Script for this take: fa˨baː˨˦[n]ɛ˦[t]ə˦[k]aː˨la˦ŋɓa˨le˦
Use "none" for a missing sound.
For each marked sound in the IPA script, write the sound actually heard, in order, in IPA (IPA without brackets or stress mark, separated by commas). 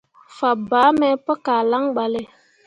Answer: m, p, k